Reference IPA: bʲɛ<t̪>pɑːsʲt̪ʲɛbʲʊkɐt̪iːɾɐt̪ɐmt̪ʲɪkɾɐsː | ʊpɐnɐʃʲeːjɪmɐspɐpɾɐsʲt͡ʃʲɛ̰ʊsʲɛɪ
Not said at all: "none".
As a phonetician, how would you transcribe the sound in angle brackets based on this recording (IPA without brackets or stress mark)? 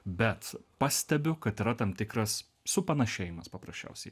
t̪